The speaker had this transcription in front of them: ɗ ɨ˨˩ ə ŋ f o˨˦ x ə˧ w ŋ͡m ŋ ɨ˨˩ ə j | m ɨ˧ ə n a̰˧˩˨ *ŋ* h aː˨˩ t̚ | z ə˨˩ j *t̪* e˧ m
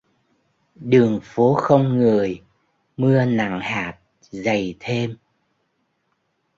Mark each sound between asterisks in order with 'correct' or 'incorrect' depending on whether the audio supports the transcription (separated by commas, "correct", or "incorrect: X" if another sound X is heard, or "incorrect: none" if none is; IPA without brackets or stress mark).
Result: correct, incorrect: t̪ʰ